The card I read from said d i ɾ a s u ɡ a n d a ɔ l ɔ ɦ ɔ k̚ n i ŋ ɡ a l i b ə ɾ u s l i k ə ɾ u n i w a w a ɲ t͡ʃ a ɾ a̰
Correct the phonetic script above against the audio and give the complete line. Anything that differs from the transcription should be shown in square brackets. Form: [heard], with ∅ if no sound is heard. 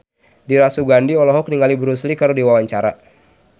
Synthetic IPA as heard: d i ɾ a s u ɡ a n d [i] ɔ l ɔ ɦ ɔ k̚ n i ŋ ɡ a l i b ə ɾ u s l i k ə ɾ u [d] i w a w a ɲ t͡ʃ a ɾ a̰